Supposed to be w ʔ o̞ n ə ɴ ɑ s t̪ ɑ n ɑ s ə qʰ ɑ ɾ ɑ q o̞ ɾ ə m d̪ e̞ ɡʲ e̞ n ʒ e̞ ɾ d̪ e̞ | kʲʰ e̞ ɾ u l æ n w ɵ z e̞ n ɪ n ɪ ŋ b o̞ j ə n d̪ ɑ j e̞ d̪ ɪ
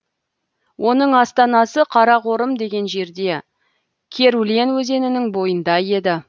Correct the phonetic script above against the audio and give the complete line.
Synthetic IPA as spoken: w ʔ o̞ n ə ɴ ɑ s t̪ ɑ n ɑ s ə qʰ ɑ ɾ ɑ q o̞ ɾ ə m d̪ e̞ ɡʲ e̞ n ʒ e̞ ɾ d̪ e̞ | kʲʰ e̞ ɾ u l e n w ɵ z e̞ n ɪ n ɪ ŋ b o̞ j ə n d̪ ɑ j e̞ d̪ ɪ